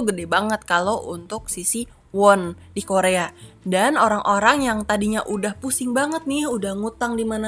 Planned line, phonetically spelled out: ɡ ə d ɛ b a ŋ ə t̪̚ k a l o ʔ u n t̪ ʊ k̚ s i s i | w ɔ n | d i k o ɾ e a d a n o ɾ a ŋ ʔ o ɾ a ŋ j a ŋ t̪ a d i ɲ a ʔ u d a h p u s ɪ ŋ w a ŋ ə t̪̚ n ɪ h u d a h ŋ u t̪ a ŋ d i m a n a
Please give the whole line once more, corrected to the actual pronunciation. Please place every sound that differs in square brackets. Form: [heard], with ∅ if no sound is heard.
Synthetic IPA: ɡ ə d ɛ b a ŋ ə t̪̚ k a l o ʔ u n t̪ ʊ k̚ s i s i | w ɔ n | d i k o ɾ e a d a n o ɾ a ŋ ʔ o ɾ a ŋ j a ŋ t̪ a d i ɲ a ʔ u d a h p u s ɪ ŋ [b] a ŋ ə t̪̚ n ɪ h u d a h ŋ u t̪ a ŋ d i m a n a